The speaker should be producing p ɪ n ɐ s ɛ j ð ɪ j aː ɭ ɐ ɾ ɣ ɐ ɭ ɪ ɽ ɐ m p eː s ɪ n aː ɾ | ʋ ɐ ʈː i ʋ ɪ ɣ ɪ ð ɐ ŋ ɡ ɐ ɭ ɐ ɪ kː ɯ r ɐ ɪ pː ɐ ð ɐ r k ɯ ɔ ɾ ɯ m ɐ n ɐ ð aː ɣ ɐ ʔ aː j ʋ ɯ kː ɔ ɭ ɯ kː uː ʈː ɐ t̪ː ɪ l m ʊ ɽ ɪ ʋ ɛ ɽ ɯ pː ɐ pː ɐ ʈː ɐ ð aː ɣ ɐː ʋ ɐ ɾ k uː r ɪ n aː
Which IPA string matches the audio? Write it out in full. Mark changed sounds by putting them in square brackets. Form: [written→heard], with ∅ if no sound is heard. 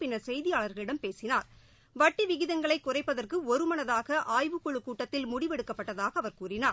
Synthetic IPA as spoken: p ɪ n ɐ s ɛ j ð ɪ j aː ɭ ɐ ɾ ɣ ɐ ɭ ɪ ɽ ɐ m p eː s ɪ n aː ɾ | ʋ ɐ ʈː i ʋ ɪ ɣ ɪ ð ɐ ŋ ɡ ɐ ɭ ɐ ɪ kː [ɯ→ʊ] r ɐ ɪ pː ɐ ð ɐ r k ɯ ɔ ɾ ɯ m ɐ n ɐ ð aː ɣ ɐ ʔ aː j ʋ ɯ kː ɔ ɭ ɯ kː uː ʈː ɐ t̪ː ɪ l m ʊ ɽ ɪ ʋ ɛ ɽ ɯ [pː→kː] ɐ pː ɐ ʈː ɐ ð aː ɣ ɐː ʋ ɐ ɾ k uː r ɪ n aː

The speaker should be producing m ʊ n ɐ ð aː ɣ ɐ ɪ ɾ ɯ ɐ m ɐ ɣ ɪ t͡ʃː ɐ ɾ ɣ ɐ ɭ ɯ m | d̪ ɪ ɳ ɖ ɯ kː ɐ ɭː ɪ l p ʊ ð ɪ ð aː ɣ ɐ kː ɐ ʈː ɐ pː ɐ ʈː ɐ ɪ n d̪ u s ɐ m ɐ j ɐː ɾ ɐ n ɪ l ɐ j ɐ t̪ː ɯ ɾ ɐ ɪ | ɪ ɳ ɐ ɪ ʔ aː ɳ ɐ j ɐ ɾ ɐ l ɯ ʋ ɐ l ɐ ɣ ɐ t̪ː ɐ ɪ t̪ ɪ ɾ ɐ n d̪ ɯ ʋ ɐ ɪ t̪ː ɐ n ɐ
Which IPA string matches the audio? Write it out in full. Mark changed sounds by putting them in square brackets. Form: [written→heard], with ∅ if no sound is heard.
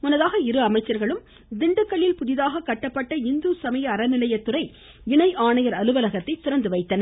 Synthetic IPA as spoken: m ʊ n ɐ ð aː ɣ ɐ ɪ ɾ ɯ ɐ m ɐ [ɣ→∅] ɪ t͡ʃː ɐ ɾ ɣ ɐ ɭ ɯ m | d̪ ɪ ɳ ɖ ɯ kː ɐ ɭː ɪ l p ʊ ð ɪ ð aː ɣ ɐ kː ɐ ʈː ɐ pː ɐ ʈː ɐ ɪ n d̪ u s ɐ m ɐ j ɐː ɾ ɐ n ɪ l ɐ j ɐ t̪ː ɯ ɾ ɐ ɪ | ɪ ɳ ɐ ɪ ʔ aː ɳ ɐ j ɐ ɾ ɐ l ɯ ʋ ɐ l ɐ ɣ ɐ t̪ː ɐ ɪ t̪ ɪ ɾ ɐ n d̪ ɯ ʋ ɐ ɪ t̪ː ɐ n ɐ

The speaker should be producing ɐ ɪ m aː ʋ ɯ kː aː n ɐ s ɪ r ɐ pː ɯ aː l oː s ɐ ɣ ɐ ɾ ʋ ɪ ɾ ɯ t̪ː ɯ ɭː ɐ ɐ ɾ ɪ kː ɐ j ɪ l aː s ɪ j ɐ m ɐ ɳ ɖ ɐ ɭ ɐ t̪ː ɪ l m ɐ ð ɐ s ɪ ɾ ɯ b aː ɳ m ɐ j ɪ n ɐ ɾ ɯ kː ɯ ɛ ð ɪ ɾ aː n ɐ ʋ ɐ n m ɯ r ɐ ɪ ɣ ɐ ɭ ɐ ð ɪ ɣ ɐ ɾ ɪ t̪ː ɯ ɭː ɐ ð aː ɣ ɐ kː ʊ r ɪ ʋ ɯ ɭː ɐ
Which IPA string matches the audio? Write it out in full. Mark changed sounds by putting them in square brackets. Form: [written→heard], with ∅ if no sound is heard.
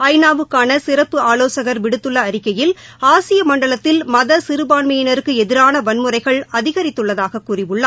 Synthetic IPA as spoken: ɐ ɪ [m→n] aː ʋ ɯ kː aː n ɐ s ɪ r ɐ pː ɯ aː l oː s ɐ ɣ ɐ ɾ ʋ ɪ [ɾ→ɽ] ɯ t̪ː ɯ ɭː ɐ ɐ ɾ ɪ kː ɐ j ɪ l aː s ɪ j ɐ m ɐ ɳ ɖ ɐ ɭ ɐ t̪ː ɪ l m ɐ ð ɐ s ɪ ɾ ɯ b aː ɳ m ɐ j ɪ n ɐ ɾ ɯ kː ɯ ɛ ð ɪ ɾ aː n ɐ ʋ ɐ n m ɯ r ɐ ɪ ɣ ɐ ɭ ɐ ð ɪ ɣ ɐ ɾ ɪ t̪ː ɯ ɭː ɐ ð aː ɣ ɐ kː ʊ r ɪ ʋ ɯ ɭː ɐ

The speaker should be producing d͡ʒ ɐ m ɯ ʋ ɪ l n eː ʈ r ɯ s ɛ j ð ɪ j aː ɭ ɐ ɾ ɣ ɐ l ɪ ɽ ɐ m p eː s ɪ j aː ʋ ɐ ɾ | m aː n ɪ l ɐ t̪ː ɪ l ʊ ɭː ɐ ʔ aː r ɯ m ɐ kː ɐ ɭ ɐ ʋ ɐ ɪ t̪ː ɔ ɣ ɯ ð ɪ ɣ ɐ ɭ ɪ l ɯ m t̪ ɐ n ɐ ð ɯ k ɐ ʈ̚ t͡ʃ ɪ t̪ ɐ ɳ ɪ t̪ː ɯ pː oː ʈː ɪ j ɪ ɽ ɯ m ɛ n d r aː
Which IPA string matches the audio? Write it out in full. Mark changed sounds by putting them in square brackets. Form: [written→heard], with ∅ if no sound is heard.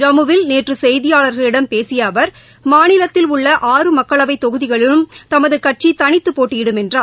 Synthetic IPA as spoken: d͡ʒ ɐ m ɯ ʋ ɪ l n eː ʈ r ɯ s ɛ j ð ɪ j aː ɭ ɐ ɾ ɣ ɐ [l→ɭ] ɪ ɽ ɐ m p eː s ɪ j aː ʋ ɐ ɾ | m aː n ɪ l ɐ t̪ː ɪ l ʊ ɭː ɐ ʔ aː r ɯ m ɐ kː ɐ ɭ ɐ ʋ ɐ ɪ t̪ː ɔ ɣ ɯ ð ɪ ɣ ɐ ɭ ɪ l ɯ m t̪ ɐ [n→m] ɐ ð ɯ k ɐ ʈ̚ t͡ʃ [ɪ→i] t̪ ɐ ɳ ɪ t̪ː ɯ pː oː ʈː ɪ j ɪ ɽ ɯ m ɛ n d r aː

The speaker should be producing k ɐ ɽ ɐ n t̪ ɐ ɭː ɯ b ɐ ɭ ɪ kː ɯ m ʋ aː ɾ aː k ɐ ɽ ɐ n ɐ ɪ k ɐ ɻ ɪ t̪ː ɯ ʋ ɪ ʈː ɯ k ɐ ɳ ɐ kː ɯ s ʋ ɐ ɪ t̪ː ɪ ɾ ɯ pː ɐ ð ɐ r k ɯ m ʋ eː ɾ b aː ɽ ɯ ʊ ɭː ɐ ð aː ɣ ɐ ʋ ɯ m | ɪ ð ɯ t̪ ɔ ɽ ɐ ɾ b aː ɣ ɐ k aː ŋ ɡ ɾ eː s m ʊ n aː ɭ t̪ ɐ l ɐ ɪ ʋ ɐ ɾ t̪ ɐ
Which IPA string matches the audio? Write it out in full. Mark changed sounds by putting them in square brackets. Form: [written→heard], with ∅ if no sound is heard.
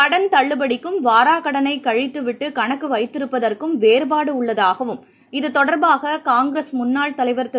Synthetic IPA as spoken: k ɐ ɽ ɐ n t̪ ɐ ɭː ɯ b ɐ [ɭ→ɽ] ɪ kː ɯ m ʋ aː ɾ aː k ɐ ɽ ɐ n ɐ ɪ k ɐ ɻ ɪ t̪ː ɯ ʋ ɪ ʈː ɯ k ɐ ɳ ɐ kː ɯ [s→∅] ʋ ɐ ɪ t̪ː ɪ ɾ ɯ pː ɐ ð ɐ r k ɯ m ʋ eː ɾ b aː ɽ ɯ ʊ ɭː ɐ ð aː ɣ ɐ ʋ ɯ m | ɪ ð ɯ t̪ ɔ ɽ ɐ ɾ b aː ɣ ɐ k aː ŋ ɡ ɾ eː s m ʊ [n→nː] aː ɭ t̪ ɐ l ɐ ɪ ʋ ɐ ɾ t̪ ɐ

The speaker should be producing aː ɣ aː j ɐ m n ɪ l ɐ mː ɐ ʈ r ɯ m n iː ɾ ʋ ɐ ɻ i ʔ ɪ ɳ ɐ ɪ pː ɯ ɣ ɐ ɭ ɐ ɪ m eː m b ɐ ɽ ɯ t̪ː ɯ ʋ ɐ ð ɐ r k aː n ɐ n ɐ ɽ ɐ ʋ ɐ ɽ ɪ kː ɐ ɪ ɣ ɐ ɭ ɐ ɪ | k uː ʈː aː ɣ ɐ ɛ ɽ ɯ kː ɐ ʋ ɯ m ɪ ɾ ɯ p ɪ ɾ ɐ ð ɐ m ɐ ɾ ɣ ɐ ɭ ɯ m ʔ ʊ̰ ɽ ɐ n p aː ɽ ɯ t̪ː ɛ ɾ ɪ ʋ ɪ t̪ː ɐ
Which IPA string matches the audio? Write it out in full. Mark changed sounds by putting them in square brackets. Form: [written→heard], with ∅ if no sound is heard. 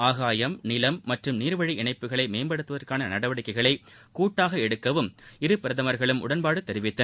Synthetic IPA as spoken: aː ɣ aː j ɐ m n ɪ l ɐ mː ɐ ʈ r ɯ m n iː ɾ ʋ ɐ ɻ i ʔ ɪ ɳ ɐ ɪ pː ɯ ɣ ɐ ɭ ɐ ɪ m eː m b ɐ ɽ ɯ t̪ː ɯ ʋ ɐ ð ɐ r k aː n ɐ n ɐ ɽ ɐ ʋ ɐ ɽ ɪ kː ɐ ɪ ɣ ɐ ɭ ɐ ɪ | k uː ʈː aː ɣ ɐ ɛ ɽ ɯ kː ɐ ʋ ɯ m ɪ ɾ ɯ p ɪ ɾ ɐ ð ɐ m ɐ ɾ ɣ ɐ ɭ ɯ m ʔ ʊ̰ ɽ ɐ n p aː ɽ ɯ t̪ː ɛ ɾ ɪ ʋ ɪ t̪ː ɐ

